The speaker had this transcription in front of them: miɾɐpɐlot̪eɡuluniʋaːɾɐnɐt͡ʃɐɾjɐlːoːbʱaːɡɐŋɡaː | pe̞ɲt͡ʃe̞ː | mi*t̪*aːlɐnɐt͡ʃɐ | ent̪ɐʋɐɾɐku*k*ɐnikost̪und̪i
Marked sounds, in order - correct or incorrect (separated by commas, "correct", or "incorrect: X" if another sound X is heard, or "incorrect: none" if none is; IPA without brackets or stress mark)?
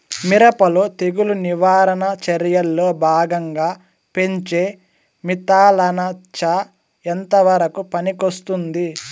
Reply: correct, incorrect: p